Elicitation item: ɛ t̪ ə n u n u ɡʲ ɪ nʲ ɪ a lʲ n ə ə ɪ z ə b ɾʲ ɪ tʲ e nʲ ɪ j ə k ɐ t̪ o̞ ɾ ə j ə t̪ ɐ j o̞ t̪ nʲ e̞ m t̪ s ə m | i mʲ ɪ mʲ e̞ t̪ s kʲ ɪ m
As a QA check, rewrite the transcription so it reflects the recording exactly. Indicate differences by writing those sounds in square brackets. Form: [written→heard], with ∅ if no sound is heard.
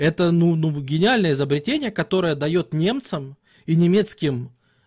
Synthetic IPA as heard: ɛ t̪ ə n u n u ɡʲ ɪ nʲ ɪ a lʲ n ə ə ɪ z ə b ɾʲ ɪ tʲ e nʲ ɪ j ə k ɐ t̪ o̞ ɾ ə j ə [t̪→d̪] ɐ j o̞ t̪ nʲ e̞ m t̪ s ə m | i [mʲ→nʲ] ɪ mʲ e̞ t̪ s kʲ ɪ m